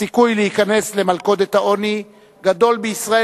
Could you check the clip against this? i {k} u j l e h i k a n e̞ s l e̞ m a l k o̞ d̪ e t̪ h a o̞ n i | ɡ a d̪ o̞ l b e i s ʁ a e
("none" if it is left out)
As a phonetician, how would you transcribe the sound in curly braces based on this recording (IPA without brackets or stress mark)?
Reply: k